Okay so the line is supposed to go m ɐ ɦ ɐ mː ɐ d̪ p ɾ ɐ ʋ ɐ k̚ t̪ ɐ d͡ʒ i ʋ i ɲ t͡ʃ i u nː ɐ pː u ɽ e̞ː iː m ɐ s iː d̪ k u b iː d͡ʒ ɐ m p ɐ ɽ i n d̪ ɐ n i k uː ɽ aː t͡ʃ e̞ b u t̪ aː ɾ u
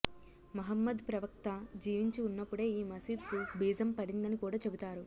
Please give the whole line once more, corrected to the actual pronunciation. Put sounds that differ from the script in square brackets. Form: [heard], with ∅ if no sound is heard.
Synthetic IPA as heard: m ɐ ɦ ɐ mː ɐ d̪ p ɾ ɐ ʋ ɐ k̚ t̪ ɐ d͡ʒ [iː] ʋ i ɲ t͡ʃ i u nː ɐ pː u ɽ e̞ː iː m ɐ s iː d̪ k u b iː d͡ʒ ɐ m p ɐ ɽ i n d̪ ɐ n i k uː ɽ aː t͡ʃ e̞ b u t̪ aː ɾ u